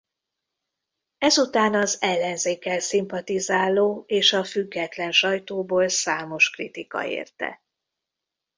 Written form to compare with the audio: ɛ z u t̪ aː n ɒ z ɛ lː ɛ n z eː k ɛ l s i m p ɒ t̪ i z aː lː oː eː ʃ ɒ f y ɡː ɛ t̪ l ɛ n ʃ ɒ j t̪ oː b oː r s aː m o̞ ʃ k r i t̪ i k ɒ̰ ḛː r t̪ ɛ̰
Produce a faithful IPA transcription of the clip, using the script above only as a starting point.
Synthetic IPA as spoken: ɛ z u t̪ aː n ɒ z ɛ lː ɛ n z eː k ɛ l s i m p ɒ t̪ i z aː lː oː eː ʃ ɒ f y ɡː ɛ t̪ l ɛ n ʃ ɒ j t̪ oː b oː l s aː m o̞ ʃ k r i t̪ i k ɒ̰ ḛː r t̪ ɛ̰

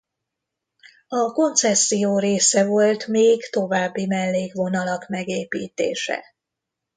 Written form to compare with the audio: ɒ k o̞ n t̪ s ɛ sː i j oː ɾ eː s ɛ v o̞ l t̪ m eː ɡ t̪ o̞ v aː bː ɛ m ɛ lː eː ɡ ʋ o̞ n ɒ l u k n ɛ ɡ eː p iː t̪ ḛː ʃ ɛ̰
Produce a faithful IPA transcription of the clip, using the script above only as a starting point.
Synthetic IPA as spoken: ɒ k o̞ n t̪ s ɛ sː i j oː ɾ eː s ɛ v o̞ l t̪ m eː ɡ t̪ o̞ v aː bː i m ɛ lː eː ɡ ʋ o̞ n ɒ l ɒ k m ɛ ɡ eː p iː t̪ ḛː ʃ ɛ̰

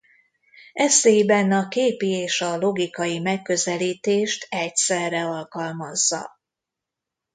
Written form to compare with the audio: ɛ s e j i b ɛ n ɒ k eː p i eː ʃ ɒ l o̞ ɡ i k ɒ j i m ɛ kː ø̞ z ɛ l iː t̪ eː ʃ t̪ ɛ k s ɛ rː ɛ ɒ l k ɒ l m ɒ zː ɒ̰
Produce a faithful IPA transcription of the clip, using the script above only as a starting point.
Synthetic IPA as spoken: ɛ s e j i b ɛ n ɒ k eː p i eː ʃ ɒ l o̞ ɡ i k ɒ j i m ɛ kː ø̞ z ɛ l iː t̪ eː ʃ t̪ ɛ c s ɛ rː ɛ ɒ l k ɒ l m ɒ zː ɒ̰

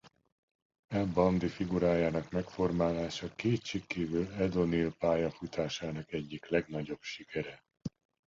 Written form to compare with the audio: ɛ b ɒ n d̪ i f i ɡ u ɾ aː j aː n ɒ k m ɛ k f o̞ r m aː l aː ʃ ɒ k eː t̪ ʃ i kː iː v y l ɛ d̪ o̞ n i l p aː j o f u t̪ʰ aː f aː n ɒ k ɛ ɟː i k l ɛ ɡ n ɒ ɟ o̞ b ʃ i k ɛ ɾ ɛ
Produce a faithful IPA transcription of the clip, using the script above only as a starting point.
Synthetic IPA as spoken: ɛ b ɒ n d̪ i f i ɡ u ɾ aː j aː n ɒ k m ɛ k f o̞ r m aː l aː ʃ ɒ k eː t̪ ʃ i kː iː v y l ɛ d̪ o̞ n i l p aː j ɒ f u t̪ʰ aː ʃ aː n ɒ k ɛ ɟː i k l ɛ ɡ n ɒ ɟ o̞ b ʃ i k ɛ ɾ ɛ

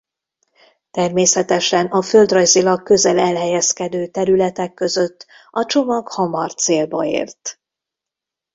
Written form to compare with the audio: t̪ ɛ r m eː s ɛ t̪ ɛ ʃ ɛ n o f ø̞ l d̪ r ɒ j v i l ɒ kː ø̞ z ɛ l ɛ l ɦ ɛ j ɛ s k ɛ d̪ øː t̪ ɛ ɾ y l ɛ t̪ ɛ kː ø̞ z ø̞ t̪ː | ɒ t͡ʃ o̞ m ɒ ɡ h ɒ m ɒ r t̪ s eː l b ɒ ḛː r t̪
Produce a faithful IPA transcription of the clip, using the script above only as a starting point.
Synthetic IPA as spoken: t̪ ɛ r m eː s ɛ t̪ ɛ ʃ ɛ n ɒ f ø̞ l d̪ r ɒ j z i l ɒ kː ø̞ z ɛ l ɛ l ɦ ɛ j ɛ s k ɛ d̪ øː t̪ ɛ ɾ y l ɛ t̪ ɛ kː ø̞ z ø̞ t̪ː | ɒ t͡ʃ o̞ m ɒ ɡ h ɒ m ɒ r t̪ s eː l b ɒ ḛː r t̪

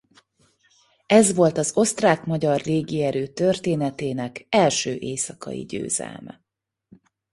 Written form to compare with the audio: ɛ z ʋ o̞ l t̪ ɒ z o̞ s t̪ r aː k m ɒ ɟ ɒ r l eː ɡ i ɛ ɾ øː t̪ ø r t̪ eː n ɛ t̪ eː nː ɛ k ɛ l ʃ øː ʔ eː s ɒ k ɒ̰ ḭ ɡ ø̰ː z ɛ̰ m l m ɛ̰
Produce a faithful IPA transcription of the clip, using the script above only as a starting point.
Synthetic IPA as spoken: ɛ z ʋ o̞ l t̪ ɒ z o̞ s t̪ r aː k m ɒ ɟ ɒ r l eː ɡ i ɛ ɾ øː t̪ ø r t̪ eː n ɛ t̪ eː n ɛ k ɛ l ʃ øː ʔ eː s ɒ k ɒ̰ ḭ ɟ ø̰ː z ɛ̰ l m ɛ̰

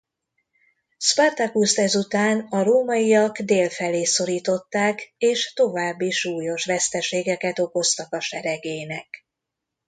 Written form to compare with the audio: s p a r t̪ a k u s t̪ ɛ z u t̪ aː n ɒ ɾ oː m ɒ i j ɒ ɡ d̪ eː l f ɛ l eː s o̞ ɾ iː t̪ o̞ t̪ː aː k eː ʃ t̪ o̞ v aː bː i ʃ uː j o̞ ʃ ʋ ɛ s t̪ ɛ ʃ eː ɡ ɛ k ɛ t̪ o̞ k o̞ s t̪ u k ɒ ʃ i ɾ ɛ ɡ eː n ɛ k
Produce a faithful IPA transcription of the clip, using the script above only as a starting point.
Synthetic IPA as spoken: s p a r t̪ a k u s t̪ ɛ z u t̪ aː n ɒ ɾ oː m ɒ i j ɒ ɡ d̪ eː l f ɛ l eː s o̞ ɾ iː t̪ o̞ t̪ː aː k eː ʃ t̪ o̞ v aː bː i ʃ uː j o̞ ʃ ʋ ɛ s t̪ ɛ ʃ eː ɡ ɛ k ɛ t̪ o̞ k o̞ s t̪ ɒ k ɒ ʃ ɛ ɾ ɛ ɡ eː n ɛ k

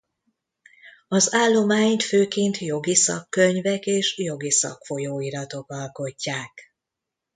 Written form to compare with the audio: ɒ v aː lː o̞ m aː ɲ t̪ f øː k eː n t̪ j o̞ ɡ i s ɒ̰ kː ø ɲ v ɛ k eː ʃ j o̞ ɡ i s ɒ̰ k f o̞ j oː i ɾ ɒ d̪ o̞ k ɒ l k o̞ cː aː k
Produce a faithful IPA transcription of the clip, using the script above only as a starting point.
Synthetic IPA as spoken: ɒ z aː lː o̞ m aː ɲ t̪ f øː k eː n t̪ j o̞ ɡ i s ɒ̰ kː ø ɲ v ɛ k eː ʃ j o̞ ɡ i s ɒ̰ k f o̞ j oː i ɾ ɒ t̪ o̞ k ɒ l k o̞ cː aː k

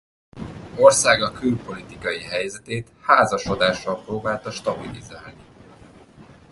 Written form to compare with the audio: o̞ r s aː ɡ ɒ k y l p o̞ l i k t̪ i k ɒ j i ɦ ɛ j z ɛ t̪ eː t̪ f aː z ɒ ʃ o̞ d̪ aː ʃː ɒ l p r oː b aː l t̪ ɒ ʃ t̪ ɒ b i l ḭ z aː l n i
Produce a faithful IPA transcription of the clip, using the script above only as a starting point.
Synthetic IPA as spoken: o̞ r s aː ɡ ɒ k y l p o̞ l i t̪ i k ɒ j i ɦ ɛ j z ɛ t̪ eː t̪ h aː z ɒ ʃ o̞ d̪ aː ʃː ɒ l p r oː b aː l t̪ ɒ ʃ t̪ ɒ b i l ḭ z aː l n i

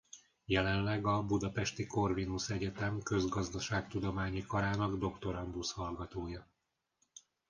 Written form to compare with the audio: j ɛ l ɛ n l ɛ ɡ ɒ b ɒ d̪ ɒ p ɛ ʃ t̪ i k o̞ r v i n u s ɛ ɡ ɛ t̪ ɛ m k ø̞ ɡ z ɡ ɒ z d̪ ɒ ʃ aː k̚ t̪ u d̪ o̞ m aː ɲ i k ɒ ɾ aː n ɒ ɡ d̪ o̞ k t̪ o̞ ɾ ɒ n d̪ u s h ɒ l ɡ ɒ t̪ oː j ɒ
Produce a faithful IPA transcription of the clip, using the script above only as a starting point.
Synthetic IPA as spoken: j ɛ l ɛ n l ɛ ɡ ɒ b u d̪ ɒ p ɛ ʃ t̪ i k o̞ r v i n u s ɛ ɟ ɛ t̪ ɛ m k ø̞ z ɡ ɒ z d̪ ɒ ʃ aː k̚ t̪ u d̪ o̞ m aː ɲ i k ɒ ɾ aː n ɒ ɡ d̪ o̞ k t̪ o̞ ɾ ɒ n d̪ u s h ɒ l ɡ ɒ t̪ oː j ɒ

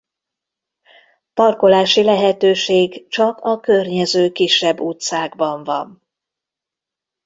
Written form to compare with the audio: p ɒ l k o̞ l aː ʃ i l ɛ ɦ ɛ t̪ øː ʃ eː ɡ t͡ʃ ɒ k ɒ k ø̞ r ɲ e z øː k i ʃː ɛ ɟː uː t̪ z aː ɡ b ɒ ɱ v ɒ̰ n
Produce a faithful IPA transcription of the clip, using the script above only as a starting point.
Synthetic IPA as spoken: p ɒ r k o̞ l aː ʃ i l ɛ ɦ ɛ t̪ øː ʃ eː ɡ t͡ʃ ɒ k ɒ k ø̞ r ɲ ɛ z øː k i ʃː ɛ bː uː t̪ s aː ɡ b ɒ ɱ v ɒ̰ n

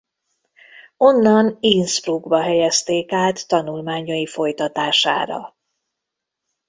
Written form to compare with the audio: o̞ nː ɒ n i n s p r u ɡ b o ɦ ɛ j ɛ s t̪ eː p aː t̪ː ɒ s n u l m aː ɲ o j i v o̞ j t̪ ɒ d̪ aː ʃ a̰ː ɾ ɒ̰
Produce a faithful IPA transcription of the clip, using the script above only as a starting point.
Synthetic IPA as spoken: o̞ nː ɒ n i n s p r u ɡ b ɒ ɦ ɛ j ɛ s t̪ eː k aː t̪ː ɒ n u l m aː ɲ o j i f o̞ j t̪ ɒ t̪ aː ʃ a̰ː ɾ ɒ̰

